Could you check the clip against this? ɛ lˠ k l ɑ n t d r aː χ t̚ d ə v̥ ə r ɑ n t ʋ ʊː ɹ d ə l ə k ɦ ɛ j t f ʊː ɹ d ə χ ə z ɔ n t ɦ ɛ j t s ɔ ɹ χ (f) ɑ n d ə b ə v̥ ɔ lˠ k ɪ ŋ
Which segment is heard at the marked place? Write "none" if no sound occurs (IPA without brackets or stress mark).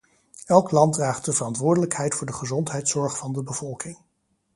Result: f